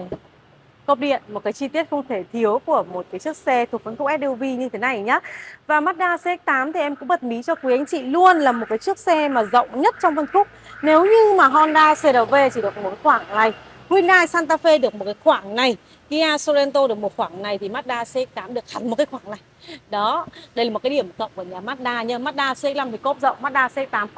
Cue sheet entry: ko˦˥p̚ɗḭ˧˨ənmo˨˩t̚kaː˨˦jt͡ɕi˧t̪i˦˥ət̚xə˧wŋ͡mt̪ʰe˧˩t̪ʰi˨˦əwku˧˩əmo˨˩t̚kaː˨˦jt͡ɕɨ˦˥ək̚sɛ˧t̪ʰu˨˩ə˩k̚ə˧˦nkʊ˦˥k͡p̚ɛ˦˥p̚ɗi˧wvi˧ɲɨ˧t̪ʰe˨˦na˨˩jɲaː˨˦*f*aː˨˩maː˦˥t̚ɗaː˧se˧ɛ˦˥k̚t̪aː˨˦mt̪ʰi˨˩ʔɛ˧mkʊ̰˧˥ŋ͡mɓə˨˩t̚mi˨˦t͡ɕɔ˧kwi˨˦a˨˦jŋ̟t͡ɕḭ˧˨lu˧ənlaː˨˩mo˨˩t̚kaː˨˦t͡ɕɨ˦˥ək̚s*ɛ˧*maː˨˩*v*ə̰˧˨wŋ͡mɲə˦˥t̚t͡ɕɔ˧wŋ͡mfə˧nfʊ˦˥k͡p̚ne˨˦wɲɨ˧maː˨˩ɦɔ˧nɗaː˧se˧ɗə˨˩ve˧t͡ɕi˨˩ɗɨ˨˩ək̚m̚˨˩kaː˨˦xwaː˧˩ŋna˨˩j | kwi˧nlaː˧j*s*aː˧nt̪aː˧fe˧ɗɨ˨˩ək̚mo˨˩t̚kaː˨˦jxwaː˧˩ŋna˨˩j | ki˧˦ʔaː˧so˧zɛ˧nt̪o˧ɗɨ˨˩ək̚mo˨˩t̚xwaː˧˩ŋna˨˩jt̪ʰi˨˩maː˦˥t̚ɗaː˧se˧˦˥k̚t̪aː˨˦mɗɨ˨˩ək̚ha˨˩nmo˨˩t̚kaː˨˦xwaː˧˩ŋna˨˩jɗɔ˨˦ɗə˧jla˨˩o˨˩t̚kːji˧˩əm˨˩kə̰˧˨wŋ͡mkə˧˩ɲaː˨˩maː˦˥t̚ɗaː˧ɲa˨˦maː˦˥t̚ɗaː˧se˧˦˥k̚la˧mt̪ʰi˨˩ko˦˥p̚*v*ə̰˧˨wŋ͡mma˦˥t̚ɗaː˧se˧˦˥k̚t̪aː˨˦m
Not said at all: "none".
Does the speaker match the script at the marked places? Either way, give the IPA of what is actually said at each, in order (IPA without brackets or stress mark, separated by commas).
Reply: v, ɛ˧, z, s, z